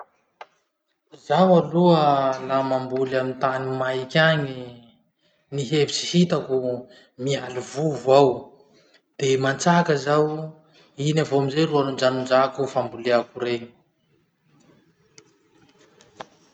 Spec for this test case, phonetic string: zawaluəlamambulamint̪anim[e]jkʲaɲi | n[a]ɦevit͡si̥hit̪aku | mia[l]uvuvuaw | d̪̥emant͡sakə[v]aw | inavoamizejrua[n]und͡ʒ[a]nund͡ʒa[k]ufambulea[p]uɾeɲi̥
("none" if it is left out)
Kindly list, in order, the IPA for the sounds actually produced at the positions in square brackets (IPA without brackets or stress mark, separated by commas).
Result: a, i, l, z, n, a, k, k